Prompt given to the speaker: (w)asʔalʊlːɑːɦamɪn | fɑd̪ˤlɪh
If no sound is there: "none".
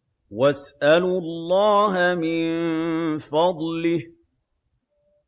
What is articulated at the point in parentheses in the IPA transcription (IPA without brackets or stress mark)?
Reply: w